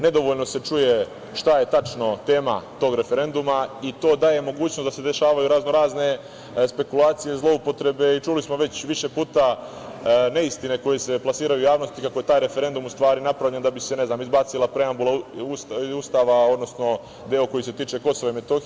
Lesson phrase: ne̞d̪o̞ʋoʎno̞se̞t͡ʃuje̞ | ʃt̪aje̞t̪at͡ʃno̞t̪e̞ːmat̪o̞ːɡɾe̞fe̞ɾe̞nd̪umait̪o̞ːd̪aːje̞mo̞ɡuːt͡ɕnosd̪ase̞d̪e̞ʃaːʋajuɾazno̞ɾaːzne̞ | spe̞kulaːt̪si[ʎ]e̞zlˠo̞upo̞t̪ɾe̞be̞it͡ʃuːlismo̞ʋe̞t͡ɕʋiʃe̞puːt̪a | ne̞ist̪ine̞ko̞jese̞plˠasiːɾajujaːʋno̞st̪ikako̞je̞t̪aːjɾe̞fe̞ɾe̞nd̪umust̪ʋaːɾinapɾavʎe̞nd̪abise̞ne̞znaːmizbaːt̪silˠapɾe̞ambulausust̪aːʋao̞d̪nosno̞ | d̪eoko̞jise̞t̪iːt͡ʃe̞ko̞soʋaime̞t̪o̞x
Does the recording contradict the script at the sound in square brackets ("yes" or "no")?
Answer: yes